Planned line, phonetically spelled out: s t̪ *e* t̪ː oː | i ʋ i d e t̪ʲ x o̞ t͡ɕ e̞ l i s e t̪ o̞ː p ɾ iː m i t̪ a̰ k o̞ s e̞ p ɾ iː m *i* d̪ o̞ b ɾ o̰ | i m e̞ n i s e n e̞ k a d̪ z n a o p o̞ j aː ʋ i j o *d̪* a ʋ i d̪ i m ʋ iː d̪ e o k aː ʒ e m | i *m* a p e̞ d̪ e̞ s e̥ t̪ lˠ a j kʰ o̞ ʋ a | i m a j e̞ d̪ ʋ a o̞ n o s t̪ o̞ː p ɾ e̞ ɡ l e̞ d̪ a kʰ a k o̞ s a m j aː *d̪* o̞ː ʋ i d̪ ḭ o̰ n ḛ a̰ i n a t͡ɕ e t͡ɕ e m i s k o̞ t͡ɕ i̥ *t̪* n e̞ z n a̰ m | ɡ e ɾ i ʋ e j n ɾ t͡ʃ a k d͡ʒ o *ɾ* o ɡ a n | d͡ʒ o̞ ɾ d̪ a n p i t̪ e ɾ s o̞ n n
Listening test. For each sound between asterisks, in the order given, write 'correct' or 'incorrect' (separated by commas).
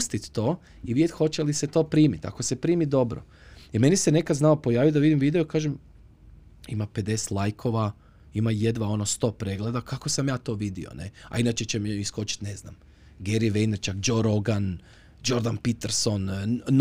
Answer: incorrect, correct, correct, correct, incorrect, correct, correct